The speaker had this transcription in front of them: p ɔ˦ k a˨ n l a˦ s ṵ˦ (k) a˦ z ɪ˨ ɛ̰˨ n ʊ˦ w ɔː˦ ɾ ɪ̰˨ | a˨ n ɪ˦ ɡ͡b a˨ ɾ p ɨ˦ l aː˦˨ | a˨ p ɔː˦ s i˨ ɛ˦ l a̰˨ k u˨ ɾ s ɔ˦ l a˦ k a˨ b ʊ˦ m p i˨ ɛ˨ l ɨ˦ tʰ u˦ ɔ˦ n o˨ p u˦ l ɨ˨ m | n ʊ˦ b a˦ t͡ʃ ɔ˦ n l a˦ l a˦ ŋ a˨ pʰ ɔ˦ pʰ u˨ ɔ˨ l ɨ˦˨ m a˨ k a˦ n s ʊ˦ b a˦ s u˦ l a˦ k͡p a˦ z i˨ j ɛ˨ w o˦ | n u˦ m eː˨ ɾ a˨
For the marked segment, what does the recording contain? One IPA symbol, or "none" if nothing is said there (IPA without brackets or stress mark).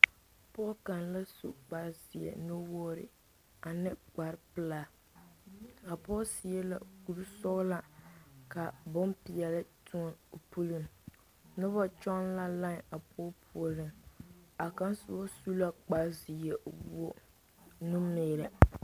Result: k͡p